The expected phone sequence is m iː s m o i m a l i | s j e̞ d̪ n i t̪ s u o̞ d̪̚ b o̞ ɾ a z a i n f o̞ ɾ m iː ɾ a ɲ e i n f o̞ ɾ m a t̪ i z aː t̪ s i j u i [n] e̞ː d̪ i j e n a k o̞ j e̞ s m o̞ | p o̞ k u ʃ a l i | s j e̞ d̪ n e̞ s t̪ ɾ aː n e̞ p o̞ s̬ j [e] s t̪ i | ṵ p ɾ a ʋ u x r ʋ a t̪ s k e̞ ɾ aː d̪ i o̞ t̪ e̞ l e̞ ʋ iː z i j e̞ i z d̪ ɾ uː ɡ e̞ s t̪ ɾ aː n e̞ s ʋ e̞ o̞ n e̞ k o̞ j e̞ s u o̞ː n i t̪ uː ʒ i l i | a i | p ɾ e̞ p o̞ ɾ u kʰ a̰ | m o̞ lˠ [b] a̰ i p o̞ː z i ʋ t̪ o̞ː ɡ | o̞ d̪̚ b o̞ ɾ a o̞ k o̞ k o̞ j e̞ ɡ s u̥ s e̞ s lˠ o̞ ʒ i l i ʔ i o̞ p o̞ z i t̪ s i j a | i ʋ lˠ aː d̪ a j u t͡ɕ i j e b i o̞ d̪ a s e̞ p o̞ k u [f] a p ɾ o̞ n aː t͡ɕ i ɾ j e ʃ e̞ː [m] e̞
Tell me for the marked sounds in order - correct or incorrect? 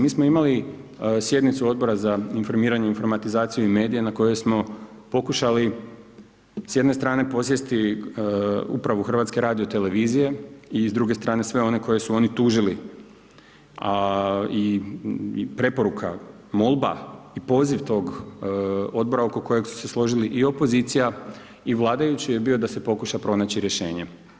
incorrect: m, correct, correct, incorrect: ʃ, incorrect: ɲ

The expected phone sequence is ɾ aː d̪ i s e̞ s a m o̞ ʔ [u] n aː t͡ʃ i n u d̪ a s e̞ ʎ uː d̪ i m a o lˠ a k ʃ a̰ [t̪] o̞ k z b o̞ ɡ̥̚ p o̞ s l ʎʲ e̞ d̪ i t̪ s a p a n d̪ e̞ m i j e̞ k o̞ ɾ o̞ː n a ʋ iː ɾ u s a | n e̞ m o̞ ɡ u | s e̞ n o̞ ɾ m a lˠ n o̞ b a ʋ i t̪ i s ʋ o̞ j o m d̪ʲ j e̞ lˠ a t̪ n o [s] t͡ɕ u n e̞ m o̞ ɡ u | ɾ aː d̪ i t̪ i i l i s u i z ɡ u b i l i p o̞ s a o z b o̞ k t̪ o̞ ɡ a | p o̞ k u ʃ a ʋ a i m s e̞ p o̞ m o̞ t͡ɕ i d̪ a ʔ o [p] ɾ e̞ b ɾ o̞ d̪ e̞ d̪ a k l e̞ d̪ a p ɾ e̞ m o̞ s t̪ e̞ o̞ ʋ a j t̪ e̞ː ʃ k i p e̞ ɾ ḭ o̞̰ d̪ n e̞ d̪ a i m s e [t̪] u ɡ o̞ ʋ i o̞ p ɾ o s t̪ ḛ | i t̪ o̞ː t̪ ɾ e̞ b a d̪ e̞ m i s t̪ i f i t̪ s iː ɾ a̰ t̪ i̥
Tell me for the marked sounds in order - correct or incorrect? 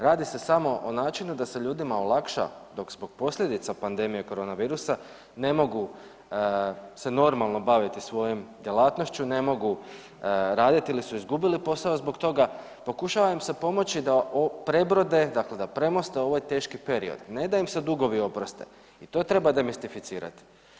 incorrect: o, incorrect: d̪, incorrect: ʃ, correct, incorrect: d̪

